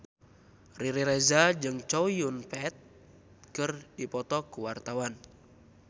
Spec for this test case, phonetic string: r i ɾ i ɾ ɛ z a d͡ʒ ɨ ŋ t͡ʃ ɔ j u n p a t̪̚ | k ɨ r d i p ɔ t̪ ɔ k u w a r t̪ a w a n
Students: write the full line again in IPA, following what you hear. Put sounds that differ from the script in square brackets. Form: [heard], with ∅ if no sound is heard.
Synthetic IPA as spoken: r i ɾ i ɾ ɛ z a d͡ʒ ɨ ŋ t͡ʃ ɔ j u n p [ɛ] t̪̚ | k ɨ r d i p ɔ t̪ ɔ k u w a r t̪ a w a n

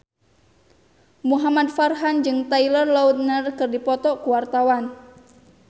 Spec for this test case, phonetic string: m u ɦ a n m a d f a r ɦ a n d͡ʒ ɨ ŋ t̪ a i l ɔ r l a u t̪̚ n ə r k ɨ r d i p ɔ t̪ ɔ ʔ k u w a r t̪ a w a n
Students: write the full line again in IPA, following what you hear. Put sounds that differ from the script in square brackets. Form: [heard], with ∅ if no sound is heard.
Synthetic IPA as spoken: m u ɦ a [∅] m a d f a r ɦ a n d͡ʒ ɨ ŋ t̪ a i l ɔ r l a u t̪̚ n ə r k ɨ r d i p ɔ t̪ ɔ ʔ k u w a r t̪ a w a n

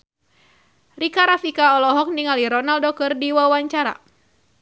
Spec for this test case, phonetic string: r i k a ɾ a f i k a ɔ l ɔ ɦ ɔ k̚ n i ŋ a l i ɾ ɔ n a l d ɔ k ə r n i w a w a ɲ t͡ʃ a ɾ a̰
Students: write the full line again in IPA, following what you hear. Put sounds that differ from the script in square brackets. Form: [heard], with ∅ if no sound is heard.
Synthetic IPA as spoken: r i k a ɾ a f i k a ɔ l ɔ ɦ ɔ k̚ n i ŋ a l i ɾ ɔ n a l d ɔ k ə r [d] i w a w a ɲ t͡ʃ a ɾ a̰

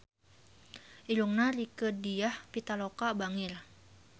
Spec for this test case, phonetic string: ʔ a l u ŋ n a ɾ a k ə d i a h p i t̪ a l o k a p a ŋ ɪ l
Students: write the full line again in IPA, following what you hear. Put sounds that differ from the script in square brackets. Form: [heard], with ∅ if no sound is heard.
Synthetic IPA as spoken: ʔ [i] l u ŋ n a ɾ [i] k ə d i a h p i t̪ a l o k a [b] a ŋ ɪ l

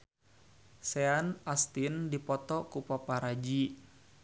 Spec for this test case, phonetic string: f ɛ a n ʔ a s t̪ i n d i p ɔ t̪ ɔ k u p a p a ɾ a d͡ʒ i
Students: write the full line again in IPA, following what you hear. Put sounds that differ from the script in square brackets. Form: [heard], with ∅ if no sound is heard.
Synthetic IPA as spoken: [s] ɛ a n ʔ a s t̪ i n d i p ɔ t̪ ɔ k u p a p a ɾ a d͡ʒ i

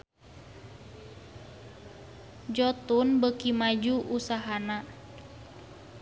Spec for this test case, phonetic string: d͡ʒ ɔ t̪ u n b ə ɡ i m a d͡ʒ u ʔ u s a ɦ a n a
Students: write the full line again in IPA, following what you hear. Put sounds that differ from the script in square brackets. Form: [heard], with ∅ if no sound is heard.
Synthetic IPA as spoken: d͡ʒ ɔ t̪ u n b ə [k] i m a d͡ʒ u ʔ u s a ɦ a n a

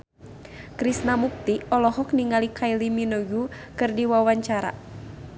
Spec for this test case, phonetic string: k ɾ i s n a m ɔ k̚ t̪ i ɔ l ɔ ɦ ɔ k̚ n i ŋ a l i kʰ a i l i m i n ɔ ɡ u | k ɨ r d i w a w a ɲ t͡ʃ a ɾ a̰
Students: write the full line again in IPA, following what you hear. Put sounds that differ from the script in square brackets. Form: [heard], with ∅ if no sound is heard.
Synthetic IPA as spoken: k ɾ i s n a m [u] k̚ t̪ i ɔ l ɔ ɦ ɔ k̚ n i ŋ a l i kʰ a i l i m i n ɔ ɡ u | k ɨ r d i w a w a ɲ t͡ʃ a ɾ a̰

